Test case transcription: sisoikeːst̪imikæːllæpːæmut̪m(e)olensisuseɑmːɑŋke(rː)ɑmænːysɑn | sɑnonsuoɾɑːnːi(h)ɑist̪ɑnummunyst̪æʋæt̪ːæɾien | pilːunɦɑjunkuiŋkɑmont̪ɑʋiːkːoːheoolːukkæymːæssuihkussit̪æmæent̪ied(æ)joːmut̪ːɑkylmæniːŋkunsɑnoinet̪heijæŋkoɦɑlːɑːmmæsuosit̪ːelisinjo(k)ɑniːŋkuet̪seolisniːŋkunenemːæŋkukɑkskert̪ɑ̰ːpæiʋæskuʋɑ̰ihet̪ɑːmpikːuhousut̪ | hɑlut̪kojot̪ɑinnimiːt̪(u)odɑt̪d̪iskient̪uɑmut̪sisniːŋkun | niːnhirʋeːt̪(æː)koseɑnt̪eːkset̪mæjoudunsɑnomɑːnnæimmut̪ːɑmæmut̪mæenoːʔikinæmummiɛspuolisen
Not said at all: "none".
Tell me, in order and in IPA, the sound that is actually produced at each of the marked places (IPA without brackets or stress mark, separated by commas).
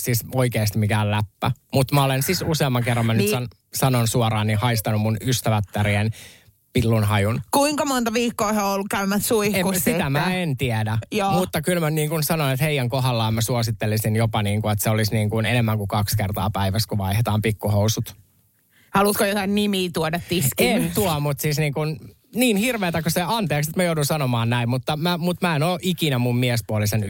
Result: æ, rː, h, æ, p, u, æ